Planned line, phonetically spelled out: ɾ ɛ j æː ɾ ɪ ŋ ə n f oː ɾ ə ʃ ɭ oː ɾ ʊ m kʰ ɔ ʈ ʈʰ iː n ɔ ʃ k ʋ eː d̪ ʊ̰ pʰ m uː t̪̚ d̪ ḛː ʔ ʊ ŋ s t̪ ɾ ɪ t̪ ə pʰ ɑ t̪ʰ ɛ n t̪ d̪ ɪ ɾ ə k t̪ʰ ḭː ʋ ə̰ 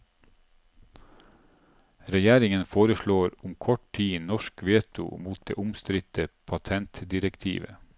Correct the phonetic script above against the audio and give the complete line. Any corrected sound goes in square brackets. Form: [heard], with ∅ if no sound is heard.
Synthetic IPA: ɾ ɛ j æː ɾ ɪ ŋ ə n f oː ɾ ə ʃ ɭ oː ɾ ʊ m kʰ ɔ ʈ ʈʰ iː n ɔ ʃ k ʋ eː [t̪] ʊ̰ [∅] m uː t̪̚ d̪ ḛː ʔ ʊ [m] s t̪ ɾ ɪ t̪ ə pʰ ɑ t̪ʰ ɛ n t̪ d̪ ɪ ɾ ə k t̪ʰ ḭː ʋ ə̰